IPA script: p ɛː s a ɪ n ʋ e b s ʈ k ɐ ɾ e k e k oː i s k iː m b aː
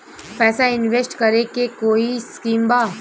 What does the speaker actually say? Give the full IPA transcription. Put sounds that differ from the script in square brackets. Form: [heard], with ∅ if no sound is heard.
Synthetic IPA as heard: p ɛː s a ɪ n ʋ e [∅] s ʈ k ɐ ɾ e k e k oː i s k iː m b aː